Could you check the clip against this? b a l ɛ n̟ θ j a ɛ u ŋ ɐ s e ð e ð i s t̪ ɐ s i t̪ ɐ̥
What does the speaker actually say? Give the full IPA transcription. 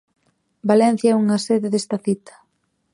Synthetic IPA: b a l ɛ n̟ θ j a ɛ u ŋ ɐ s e ð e ð e s t̪ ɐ θ i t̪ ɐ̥